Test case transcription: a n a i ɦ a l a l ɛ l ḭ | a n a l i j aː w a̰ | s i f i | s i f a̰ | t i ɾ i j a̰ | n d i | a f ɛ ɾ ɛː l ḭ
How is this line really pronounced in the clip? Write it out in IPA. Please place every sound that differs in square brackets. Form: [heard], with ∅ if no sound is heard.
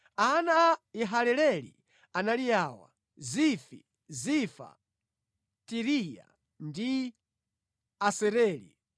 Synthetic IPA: a n a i ɦ a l [ɛ] l ɛ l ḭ | a n a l i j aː w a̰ | [z] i f i | [z] i f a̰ | t i ɾ i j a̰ | n d i | a [s] ɛ ɾ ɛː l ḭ

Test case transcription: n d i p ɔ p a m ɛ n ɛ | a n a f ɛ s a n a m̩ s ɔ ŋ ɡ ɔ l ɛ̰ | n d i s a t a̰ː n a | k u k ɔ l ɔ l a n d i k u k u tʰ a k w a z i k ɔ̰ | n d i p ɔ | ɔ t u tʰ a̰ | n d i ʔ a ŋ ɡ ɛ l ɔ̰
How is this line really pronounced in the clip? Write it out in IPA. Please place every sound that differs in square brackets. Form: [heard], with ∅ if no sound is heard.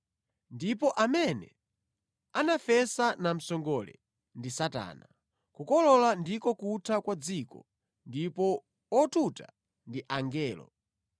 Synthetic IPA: n d i p ɔ [ʔ] a m ɛ n ɛ | a n a f ɛ s a n a m̩ s ɔ ŋ ɡ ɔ l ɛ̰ | n d i s a t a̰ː n a | k u k ɔ l ɔ l a n d i k [ɔ] k u tʰ a k w a [d͡z] i k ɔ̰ | n d i p ɔ | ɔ t u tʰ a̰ | n d i ʔ a ŋ ɡ [ɛː] l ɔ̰

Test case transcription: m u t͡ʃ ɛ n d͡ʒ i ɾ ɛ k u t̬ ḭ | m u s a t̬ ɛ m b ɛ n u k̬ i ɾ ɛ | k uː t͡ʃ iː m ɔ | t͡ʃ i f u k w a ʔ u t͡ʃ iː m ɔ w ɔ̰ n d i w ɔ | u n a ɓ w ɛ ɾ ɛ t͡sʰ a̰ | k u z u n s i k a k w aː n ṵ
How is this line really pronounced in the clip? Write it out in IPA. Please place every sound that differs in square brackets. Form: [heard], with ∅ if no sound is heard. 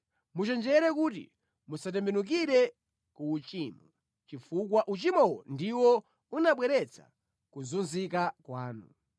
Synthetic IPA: m u t͡ʃ ɛ n d͡ʒ [ɛ] ɾ ɛ k u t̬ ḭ | m u s a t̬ ɛ m b ɛ n u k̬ i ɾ ɛ | k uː t͡ʃ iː m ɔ | t͡ʃ i f u k w a ʔ u t͡ʃ [i] m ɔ w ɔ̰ n d i w ɔ | u n a ɓ w ɛ ɾ ɛ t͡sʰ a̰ | k u z u n [z] i k a k w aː n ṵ

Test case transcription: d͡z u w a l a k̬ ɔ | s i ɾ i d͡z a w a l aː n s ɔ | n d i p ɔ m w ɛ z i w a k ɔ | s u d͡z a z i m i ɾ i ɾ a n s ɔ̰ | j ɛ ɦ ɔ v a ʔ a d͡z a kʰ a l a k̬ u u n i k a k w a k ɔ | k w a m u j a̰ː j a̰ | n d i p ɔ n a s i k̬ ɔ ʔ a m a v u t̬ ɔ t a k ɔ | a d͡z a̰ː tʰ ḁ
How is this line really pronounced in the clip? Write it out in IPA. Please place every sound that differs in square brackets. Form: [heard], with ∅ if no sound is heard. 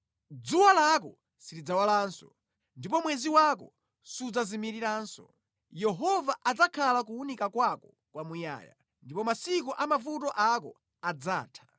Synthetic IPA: d͡z u w a l a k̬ ɔ | s i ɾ i d͡z a w a l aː n s ɔ | n d i p ɔ m w ɛ z i w a k ɔ | s u d͡z a z i m i ɾ i ɾ a n s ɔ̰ | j ɛ ɦ ɔ v a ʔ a d͡z a kʰ a l a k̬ u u n i k a k w a k ɔ | k w a m u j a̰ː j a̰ | n d i p ɔ [m] a s i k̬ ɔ ʔ a m a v u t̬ ɔ [ʔ] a k ɔ | a d͡z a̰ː tʰ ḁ

